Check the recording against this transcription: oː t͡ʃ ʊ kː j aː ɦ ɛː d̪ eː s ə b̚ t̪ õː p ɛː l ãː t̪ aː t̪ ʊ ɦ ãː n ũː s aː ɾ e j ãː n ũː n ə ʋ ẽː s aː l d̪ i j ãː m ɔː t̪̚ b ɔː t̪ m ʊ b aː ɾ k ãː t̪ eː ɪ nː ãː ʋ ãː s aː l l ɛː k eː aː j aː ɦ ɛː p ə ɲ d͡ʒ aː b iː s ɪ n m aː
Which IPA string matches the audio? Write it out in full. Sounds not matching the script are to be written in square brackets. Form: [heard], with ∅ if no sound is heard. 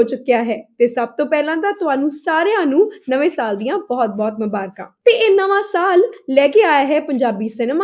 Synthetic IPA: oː t͡ʃ ʊ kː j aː ɦ ɛː [t̪] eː s ə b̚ t̪ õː p ɛː l ãː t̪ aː t̪ ʊ ɦ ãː n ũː s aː ɾ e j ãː n ũː n ə ʋ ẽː s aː l d̪ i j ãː [b] ɔː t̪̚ b ɔː t̪ m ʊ b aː ɾ k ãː t̪ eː ɪ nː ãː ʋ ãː s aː l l ɛː k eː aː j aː ɦ ɛː p ə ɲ d͡ʒ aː b iː s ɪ n m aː